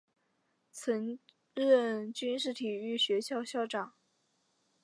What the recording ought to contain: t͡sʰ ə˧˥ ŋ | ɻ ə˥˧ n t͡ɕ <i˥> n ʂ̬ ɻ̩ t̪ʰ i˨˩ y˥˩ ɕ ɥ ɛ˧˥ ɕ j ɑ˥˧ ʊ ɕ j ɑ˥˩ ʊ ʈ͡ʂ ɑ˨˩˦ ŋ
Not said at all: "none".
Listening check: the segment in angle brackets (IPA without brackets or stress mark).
y˥